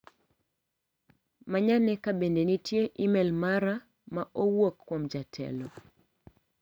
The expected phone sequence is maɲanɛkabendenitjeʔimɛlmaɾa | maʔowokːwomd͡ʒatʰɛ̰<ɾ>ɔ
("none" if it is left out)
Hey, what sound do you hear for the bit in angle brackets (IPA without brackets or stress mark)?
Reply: l